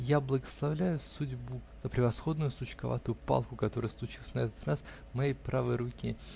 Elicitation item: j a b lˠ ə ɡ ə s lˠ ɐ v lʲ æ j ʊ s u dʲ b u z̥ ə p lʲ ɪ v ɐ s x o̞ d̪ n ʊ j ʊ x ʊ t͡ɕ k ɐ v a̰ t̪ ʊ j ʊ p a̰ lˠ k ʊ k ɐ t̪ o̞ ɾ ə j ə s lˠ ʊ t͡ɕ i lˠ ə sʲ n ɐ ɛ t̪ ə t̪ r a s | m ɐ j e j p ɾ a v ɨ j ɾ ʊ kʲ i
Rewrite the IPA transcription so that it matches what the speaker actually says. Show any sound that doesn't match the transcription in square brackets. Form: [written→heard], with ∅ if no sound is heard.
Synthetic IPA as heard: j a b lˠ ə ɡ ə s lˠ ɐ v lʲ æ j ʊ s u dʲ b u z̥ ə p [lʲ→ɾʲ] ɪ v ɐ s x o̞ d̪ n ʊ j ʊ [x→s] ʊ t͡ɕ k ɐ v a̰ t̪ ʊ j ʊ p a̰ lˠ k ʊ k ɐ t̪ o̞ ɾ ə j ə s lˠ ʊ t͡ɕ i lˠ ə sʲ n ɐ ɛ t̪ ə t̪ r a s | m ɐ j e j p ɾ a v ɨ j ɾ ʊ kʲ i